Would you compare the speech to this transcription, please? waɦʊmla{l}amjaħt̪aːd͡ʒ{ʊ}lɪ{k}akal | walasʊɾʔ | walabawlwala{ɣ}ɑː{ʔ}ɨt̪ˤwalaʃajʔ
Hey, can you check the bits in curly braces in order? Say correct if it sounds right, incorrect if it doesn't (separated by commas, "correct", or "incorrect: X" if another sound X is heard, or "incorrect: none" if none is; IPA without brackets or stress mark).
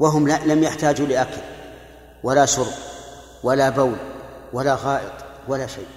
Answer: correct, incorrect: u, incorrect: ʔ, correct, correct